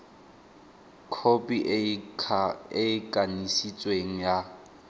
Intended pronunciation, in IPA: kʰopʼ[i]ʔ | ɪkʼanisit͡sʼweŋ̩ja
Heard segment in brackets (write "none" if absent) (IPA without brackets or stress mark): i